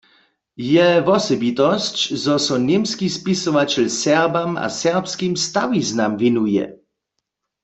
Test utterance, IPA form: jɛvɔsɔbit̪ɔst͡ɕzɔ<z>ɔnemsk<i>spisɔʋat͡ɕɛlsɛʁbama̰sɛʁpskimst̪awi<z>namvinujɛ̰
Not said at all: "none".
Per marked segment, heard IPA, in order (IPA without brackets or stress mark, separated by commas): s, i, z